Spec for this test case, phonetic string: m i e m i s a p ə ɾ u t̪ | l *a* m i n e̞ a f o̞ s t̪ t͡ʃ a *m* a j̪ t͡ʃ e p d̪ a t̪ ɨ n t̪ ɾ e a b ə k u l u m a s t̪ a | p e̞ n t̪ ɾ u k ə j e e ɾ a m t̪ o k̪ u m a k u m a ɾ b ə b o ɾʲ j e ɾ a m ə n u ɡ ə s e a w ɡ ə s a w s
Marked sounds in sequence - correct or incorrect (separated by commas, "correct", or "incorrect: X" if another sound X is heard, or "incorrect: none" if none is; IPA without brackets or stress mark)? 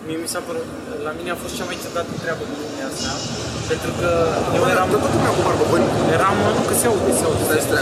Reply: correct, correct